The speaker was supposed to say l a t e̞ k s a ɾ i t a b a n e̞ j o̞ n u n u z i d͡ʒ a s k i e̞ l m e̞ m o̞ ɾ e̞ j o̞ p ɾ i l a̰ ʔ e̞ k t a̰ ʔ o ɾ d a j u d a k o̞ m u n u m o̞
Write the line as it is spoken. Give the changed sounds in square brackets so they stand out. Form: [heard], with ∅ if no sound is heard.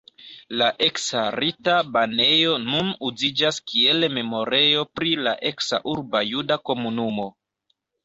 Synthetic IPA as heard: l a [ʔ] e̞ k s a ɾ i t a b a n e̞ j o̞ n u n u z i d͡ʒ a s k i e̞ l m e̞ m o̞ ɾ e̞ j o̞ p ɾ i l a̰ ʔ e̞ k [s] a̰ ʔ [u] ɾ [b] a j u d a k o̞ m u n u m o̞